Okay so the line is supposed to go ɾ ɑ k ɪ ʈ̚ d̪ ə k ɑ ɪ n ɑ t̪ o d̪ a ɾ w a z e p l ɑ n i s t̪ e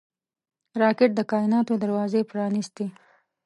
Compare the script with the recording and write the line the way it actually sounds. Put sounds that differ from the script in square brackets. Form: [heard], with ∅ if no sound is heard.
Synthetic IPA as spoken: ɾ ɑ k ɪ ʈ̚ d̪ ə k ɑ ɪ n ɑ t̪ o d̪ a ɾ w [ɑ] z e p [ɾ] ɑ n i s t̪ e

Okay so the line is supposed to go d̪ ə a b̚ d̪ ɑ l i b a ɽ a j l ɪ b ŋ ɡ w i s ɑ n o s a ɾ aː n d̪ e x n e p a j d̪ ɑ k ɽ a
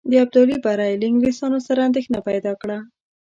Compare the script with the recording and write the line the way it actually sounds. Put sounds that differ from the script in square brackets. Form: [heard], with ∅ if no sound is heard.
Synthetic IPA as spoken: d̪ ə a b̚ d̪ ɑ l i b a [ɾ] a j l ɪ [∅] ŋ ɡ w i s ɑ n o s a ɾ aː n d̪ e x n [a] p a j d̪ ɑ k ɽ a

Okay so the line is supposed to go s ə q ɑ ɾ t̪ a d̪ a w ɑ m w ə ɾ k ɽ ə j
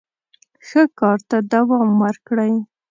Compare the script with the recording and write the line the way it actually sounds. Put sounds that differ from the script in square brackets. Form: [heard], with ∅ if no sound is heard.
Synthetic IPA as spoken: [x] ə [k] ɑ ɾ t̪ a d̪ a w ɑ m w ə ɾ k ɽ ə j

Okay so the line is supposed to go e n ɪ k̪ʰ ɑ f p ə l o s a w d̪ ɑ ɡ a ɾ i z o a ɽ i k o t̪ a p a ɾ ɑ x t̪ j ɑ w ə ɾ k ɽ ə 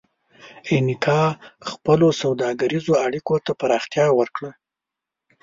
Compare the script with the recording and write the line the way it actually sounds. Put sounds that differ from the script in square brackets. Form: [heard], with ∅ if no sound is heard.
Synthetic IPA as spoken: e n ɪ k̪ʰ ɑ [x] p ə l o s a w d̪ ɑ ɡ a ɾ i z o a ɽ i k o t̪ a p a ɾ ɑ x t̪ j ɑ w ə ɾ k ɽ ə

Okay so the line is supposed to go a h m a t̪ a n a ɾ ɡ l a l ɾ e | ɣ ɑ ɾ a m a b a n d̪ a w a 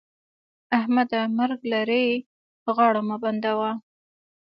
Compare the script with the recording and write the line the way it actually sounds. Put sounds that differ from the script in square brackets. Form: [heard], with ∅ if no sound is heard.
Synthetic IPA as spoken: a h m a [d̪] a [m] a ɾ ɡ l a [∅] ɾ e | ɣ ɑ [ɽ] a m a b a n d̪ a w a

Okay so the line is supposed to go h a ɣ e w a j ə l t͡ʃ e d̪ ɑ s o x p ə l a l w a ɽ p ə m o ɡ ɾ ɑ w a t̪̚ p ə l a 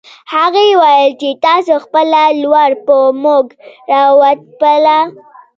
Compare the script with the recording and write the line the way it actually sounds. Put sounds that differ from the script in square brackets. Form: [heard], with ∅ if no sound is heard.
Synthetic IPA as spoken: h a ɣ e w a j ə l t͡ʃ e [t̪] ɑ s o x p ə l a l w a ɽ p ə m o ɡ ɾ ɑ w a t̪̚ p ə l a

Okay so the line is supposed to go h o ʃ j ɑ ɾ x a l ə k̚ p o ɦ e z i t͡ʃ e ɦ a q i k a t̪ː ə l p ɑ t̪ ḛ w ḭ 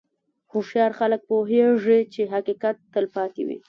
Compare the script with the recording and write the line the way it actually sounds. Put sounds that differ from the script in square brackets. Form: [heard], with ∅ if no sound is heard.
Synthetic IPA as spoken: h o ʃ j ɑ ɾ x a l ə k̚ p o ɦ e [ʐ] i t͡ʃ e ɦ a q i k a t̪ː ə l p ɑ t̪ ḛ w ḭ

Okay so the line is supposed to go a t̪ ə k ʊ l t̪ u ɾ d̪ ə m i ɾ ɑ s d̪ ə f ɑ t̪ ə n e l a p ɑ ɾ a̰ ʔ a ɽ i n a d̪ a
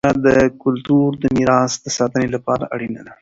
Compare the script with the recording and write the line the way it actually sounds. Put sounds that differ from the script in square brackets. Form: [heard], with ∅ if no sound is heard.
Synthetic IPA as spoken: a [d̪] ə k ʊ l t̪ u ɾ d̪ ə m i ɾ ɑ s d̪ ə [s] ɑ t̪ ə n e l a p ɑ ɾ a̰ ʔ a ɽ i n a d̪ a

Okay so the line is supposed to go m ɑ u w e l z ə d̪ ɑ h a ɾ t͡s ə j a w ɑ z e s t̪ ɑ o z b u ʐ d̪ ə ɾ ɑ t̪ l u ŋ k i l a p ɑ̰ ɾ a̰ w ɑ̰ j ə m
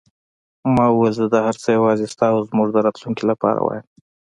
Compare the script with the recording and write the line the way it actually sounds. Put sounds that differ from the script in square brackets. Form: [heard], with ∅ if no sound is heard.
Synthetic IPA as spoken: m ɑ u w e l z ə d̪ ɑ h a ɾ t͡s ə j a w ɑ z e s t̪ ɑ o z [m] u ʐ d̪ ə ɾ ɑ t̪ l u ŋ k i l a p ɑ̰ ɾ a̰ w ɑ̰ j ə m

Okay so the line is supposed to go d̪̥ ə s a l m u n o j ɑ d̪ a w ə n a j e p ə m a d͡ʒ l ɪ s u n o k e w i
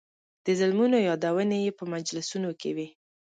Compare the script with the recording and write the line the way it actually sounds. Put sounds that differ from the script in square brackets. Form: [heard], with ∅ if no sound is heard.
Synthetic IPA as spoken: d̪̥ ə [z] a l m u n o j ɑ d̪ a w ə n [e] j e p ə m a d͡ʒ l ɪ s u n o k e w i

